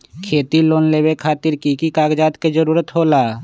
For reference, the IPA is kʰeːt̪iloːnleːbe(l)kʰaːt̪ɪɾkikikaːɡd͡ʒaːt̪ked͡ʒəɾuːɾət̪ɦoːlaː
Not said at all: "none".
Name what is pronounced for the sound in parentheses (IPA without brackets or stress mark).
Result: none